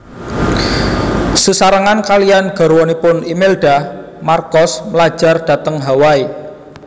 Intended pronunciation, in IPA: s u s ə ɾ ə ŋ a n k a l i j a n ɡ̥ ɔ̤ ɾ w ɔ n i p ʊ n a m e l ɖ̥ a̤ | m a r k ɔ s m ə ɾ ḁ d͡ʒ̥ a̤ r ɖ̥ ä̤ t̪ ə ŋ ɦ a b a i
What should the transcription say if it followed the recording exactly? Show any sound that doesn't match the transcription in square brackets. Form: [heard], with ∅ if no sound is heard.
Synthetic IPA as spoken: s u s [a] ɾ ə ŋ a n k a l i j a n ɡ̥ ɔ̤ ɾ w ɔ n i p ʊ n [i] m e l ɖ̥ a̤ | m a r k ɔ s m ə [l] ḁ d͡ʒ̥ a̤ r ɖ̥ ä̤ t̪ ə ŋ ɦ a [w] a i